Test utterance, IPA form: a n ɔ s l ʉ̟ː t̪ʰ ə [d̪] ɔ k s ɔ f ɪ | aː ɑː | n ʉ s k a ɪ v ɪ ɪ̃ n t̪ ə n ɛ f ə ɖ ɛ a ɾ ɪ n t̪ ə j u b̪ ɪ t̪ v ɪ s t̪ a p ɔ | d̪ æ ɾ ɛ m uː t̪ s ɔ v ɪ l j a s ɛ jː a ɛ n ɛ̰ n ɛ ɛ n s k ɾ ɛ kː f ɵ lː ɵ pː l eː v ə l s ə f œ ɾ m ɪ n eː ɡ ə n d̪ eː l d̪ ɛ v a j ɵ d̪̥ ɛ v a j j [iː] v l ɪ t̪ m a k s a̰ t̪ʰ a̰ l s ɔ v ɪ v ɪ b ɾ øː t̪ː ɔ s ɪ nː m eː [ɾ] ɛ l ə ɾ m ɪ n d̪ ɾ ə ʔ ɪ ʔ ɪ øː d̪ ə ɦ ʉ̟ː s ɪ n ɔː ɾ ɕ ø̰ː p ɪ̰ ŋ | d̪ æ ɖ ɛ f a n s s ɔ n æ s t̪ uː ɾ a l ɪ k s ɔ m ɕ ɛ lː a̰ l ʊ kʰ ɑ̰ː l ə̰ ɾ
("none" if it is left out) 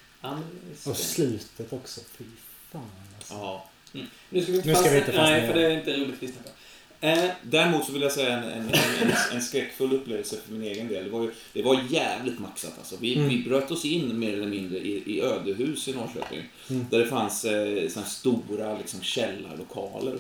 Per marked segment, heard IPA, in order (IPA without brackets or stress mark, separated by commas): t̪, æː, ɾ